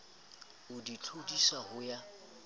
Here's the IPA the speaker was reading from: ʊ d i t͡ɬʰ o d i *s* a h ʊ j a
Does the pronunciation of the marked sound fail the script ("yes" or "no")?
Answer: no